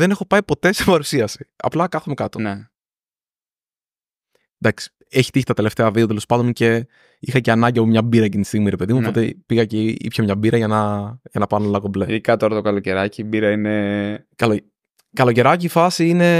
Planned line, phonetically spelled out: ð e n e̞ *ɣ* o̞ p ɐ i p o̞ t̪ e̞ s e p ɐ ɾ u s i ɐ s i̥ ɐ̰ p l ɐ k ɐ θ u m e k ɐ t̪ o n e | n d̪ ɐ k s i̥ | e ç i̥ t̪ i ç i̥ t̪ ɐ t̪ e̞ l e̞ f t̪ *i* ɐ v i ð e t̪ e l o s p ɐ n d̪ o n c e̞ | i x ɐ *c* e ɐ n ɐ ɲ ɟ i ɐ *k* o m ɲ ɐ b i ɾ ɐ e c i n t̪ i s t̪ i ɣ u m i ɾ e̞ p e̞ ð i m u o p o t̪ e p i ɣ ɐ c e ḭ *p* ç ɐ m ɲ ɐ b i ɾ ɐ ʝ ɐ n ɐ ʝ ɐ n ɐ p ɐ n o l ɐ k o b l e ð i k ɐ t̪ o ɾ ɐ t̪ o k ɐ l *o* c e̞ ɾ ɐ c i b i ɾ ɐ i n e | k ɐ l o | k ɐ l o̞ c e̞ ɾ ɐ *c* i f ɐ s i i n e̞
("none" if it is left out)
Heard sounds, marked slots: x, e, c, p, p, o, c

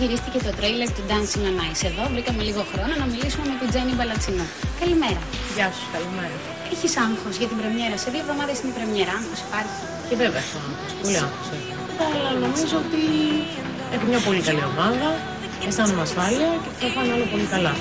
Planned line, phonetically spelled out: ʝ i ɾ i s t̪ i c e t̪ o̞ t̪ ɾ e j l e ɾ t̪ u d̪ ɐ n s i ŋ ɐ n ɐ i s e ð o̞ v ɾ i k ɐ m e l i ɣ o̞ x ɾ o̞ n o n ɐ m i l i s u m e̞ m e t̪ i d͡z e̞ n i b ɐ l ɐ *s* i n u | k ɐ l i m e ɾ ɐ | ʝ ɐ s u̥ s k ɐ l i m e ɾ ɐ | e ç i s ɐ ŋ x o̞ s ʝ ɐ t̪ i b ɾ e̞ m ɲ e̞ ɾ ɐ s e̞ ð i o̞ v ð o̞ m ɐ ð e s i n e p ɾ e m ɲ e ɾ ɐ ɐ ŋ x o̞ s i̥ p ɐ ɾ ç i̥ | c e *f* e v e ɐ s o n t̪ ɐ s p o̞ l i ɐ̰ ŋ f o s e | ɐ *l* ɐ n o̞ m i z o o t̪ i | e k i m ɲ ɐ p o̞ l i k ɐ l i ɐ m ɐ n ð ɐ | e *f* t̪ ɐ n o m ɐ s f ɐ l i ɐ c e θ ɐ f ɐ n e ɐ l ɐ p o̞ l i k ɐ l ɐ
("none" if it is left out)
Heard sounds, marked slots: t͡s, v, l, s

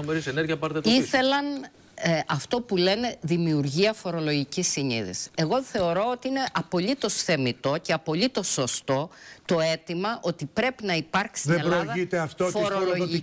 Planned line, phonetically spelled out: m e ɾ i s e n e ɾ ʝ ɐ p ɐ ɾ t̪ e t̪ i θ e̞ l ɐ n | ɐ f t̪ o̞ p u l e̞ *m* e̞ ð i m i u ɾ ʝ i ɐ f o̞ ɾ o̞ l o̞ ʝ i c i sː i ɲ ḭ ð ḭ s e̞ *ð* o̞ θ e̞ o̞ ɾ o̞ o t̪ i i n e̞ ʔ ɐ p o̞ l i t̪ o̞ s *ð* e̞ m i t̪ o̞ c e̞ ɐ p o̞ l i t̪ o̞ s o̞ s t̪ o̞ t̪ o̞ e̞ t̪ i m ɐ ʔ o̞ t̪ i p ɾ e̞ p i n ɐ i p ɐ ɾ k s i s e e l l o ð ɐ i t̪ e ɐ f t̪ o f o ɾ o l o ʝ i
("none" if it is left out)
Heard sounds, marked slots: n, ɣ, θ

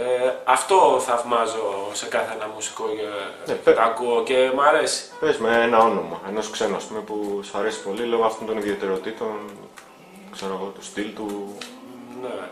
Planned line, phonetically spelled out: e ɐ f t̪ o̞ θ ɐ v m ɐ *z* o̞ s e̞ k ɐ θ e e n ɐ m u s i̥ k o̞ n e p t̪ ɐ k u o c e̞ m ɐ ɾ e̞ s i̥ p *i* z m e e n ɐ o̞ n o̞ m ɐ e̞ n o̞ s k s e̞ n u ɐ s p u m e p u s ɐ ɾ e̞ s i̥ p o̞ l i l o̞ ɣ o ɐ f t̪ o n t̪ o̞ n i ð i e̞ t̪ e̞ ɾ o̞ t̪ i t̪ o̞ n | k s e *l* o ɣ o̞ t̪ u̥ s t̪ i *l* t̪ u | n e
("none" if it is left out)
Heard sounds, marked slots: z, e, ɾ, l

